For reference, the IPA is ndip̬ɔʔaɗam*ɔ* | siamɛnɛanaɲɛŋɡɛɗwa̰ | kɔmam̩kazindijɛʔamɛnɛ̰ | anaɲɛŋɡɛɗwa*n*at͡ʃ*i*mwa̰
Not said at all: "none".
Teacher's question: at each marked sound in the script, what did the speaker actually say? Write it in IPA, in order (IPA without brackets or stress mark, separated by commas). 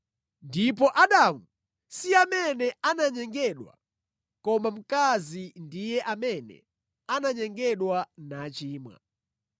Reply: u, n, iː